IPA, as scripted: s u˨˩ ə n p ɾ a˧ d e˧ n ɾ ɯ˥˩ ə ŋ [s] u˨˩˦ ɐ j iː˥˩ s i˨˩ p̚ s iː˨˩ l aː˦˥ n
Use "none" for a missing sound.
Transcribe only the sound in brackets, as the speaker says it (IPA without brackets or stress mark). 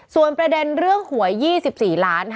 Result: h